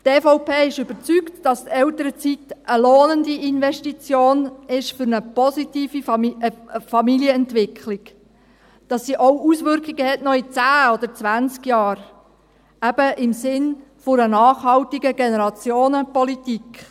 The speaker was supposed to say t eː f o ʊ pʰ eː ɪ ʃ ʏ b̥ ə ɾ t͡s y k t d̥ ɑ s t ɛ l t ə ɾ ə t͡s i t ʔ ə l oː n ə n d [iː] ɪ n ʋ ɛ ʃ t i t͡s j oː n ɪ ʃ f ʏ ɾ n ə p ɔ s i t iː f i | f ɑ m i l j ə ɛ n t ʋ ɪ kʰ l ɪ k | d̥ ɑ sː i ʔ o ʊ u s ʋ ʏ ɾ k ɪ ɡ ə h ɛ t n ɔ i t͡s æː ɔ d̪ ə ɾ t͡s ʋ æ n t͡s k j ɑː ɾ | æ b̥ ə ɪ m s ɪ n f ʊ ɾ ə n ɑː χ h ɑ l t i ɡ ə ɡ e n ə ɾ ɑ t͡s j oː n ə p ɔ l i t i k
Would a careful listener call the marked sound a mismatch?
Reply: yes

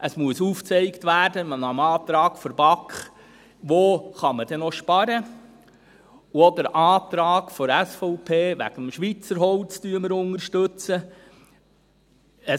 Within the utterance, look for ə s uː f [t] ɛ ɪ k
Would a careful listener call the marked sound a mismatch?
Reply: yes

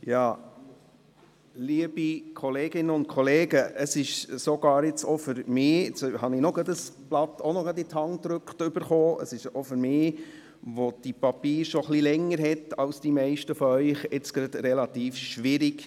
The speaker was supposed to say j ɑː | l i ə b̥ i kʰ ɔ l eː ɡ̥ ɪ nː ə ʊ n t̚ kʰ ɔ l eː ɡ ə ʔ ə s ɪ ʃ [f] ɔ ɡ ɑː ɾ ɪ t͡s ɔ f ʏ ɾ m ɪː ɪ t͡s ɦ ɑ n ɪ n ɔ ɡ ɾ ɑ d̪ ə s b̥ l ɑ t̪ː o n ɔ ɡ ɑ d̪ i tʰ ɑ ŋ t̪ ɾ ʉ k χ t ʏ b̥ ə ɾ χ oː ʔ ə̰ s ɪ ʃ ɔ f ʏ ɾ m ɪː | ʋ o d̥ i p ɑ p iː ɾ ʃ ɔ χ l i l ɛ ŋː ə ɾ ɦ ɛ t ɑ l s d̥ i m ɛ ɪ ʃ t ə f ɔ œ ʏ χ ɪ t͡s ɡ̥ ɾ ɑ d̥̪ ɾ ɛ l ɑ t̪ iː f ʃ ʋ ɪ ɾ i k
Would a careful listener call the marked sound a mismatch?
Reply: yes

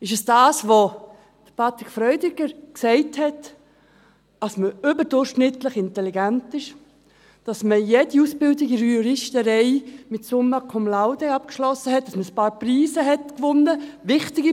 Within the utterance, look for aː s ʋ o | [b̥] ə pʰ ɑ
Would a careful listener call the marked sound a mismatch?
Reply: yes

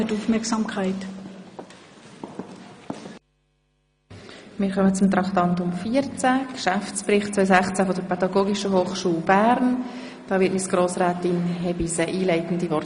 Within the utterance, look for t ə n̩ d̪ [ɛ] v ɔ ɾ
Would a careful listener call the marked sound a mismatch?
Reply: yes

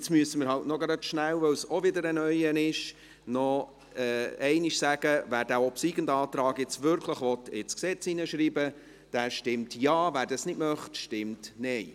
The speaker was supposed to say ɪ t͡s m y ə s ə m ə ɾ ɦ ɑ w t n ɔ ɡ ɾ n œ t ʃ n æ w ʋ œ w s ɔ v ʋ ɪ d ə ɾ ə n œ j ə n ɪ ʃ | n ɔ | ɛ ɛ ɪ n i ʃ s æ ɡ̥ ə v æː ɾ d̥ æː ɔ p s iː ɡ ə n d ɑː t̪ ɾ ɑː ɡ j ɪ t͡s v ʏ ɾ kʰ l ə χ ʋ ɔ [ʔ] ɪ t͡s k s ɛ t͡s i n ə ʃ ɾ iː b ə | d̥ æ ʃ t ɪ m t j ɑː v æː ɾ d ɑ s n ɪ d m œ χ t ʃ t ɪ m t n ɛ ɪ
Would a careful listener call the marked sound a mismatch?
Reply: yes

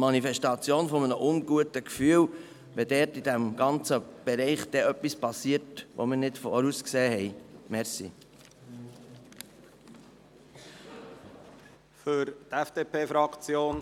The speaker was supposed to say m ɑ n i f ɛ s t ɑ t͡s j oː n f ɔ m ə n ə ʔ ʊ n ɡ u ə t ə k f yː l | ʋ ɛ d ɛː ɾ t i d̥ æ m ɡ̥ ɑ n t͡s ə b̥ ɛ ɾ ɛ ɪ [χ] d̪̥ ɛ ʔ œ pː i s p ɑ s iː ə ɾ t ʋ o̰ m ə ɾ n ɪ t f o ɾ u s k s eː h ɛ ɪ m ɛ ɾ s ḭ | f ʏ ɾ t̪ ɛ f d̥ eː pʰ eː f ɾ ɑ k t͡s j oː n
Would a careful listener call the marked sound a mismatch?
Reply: no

